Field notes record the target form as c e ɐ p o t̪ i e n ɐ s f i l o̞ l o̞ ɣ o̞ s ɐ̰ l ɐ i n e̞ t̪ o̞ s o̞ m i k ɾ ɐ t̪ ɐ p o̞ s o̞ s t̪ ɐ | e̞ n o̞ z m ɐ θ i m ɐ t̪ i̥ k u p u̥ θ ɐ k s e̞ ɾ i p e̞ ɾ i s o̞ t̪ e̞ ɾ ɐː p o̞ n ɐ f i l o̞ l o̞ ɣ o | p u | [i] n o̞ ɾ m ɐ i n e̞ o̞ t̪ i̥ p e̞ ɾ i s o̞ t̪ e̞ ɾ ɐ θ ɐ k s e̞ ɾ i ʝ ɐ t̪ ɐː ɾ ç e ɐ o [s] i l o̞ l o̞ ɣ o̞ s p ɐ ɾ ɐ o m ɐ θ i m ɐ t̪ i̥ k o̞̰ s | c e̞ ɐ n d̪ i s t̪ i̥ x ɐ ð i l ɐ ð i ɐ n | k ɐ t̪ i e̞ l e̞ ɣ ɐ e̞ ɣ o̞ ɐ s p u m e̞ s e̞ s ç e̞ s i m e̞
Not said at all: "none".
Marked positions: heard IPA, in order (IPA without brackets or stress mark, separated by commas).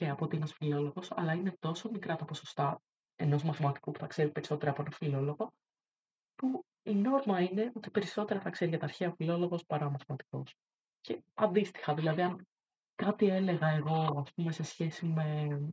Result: i, f